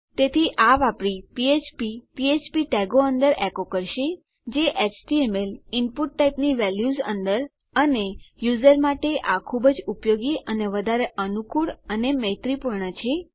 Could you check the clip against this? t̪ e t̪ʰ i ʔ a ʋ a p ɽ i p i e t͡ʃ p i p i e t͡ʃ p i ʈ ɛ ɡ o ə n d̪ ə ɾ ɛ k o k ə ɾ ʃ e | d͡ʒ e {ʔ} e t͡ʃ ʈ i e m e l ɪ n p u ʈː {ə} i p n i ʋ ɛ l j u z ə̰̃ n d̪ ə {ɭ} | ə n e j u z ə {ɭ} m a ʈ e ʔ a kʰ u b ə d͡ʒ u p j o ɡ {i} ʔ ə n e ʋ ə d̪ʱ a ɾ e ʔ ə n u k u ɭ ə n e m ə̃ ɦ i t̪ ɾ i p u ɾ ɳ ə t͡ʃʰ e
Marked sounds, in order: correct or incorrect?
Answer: correct, incorrect, incorrect, incorrect, correct

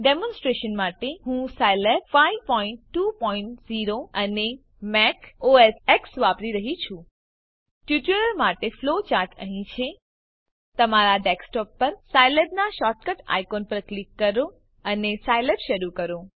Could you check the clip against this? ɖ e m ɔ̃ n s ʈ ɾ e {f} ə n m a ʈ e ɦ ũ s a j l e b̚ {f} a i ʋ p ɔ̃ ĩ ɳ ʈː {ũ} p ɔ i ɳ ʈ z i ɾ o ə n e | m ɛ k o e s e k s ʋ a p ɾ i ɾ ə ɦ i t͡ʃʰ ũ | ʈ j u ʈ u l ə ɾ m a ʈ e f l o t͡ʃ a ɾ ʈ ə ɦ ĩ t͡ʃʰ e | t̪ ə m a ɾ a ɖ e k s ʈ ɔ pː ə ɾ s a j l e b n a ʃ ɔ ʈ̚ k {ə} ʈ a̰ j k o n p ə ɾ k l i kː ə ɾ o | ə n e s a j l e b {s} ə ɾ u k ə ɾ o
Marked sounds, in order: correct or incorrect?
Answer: incorrect, correct, incorrect, correct, incorrect

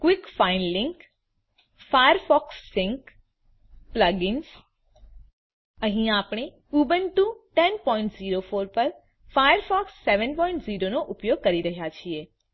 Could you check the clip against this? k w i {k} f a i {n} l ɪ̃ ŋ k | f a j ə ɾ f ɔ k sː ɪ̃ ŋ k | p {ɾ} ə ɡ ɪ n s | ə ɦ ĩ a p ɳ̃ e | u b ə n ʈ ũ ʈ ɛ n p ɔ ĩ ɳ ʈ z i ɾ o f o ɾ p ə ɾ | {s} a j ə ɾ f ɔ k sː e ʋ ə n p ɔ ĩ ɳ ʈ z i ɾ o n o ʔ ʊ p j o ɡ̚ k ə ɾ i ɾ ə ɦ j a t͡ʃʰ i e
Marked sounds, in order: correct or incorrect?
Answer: correct, correct, incorrect, incorrect

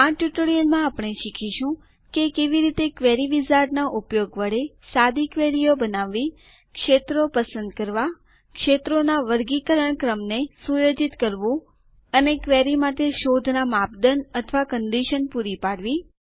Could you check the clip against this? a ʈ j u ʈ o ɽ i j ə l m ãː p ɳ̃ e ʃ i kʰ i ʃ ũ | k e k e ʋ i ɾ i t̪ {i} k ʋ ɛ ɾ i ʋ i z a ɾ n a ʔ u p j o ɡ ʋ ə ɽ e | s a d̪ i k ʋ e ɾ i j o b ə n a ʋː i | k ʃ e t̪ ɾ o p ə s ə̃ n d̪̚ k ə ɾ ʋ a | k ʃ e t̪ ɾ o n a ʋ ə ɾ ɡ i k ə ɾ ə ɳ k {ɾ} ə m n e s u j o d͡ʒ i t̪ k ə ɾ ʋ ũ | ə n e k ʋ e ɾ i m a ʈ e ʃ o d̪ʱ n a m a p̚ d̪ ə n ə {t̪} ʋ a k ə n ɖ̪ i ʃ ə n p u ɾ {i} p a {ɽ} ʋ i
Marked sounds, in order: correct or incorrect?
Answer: incorrect, correct, incorrect, correct, correct

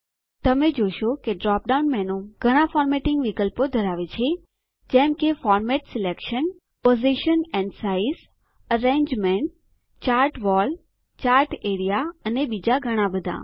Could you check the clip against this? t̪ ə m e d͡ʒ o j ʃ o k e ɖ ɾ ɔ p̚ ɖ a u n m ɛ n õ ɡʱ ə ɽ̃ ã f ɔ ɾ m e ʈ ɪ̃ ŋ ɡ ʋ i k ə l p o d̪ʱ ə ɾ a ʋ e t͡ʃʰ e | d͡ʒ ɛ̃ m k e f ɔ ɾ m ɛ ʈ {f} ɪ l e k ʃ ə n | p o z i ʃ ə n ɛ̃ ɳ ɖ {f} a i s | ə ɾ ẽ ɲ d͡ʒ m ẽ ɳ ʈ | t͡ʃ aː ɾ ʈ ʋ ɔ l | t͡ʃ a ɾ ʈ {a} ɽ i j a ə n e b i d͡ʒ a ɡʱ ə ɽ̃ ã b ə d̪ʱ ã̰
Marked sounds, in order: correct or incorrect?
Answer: incorrect, incorrect, incorrect

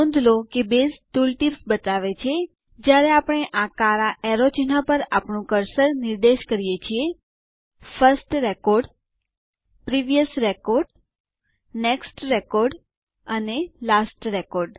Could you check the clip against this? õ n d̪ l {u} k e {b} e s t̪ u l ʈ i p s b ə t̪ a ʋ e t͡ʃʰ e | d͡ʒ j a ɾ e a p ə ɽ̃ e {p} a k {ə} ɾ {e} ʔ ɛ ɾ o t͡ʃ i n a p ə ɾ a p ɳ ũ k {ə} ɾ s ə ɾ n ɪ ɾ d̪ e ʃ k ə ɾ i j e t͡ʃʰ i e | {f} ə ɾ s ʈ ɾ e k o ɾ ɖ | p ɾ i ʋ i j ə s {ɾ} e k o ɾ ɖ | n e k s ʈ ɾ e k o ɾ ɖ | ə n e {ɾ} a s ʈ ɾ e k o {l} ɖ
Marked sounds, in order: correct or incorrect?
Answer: incorrect, correct, incorrect, incorrect, incorrect, correct, correct, correct, incorrect, incorrect

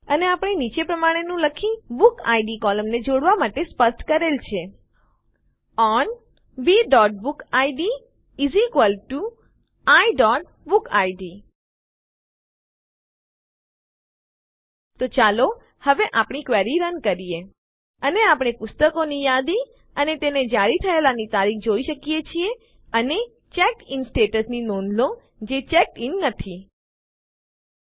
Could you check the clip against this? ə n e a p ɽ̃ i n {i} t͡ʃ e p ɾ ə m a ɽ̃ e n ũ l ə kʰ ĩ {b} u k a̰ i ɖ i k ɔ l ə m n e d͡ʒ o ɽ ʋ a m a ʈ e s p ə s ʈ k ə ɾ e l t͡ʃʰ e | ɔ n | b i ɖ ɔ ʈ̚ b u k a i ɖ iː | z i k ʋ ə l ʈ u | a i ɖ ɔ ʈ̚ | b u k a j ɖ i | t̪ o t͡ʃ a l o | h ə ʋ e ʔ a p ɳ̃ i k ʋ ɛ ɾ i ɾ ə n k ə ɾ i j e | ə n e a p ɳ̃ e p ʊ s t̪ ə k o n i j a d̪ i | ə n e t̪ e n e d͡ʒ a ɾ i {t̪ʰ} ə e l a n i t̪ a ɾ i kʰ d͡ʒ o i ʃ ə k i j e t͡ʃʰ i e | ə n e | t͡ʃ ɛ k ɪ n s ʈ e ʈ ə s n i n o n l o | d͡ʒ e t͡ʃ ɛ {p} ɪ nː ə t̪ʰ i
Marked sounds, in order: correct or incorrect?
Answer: correct, correct, correct, incorrect

